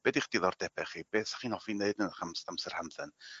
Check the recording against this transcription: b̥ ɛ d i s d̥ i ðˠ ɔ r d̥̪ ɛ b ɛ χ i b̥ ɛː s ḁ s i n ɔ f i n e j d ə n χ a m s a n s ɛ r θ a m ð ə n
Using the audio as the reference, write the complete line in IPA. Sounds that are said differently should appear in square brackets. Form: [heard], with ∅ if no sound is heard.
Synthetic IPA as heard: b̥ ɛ d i [χ] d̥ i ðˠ ɔ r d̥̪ ɛ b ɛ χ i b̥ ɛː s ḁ [χ] i n ɔ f i n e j d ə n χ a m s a [m] s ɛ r [h] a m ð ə n